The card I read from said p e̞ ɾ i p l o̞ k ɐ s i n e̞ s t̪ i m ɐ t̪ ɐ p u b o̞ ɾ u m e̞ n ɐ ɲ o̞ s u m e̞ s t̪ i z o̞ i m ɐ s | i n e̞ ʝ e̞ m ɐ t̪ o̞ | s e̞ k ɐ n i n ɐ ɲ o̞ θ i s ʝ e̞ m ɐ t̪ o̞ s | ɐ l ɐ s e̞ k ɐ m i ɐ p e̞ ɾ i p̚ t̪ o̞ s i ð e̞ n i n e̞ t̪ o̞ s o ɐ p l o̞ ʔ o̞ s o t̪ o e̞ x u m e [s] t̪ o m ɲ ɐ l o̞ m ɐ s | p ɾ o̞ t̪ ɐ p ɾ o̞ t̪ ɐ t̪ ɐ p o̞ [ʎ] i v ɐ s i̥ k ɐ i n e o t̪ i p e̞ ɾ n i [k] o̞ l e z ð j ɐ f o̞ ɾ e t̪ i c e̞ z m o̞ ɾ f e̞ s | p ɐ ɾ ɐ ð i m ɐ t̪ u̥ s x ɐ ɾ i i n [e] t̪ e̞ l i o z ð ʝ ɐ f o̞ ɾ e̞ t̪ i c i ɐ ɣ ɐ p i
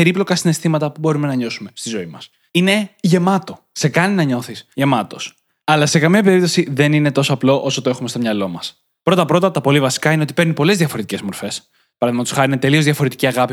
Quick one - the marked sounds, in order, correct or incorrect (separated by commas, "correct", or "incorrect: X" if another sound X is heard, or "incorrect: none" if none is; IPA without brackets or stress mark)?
correct, incorrect: l, incorrect: p, correct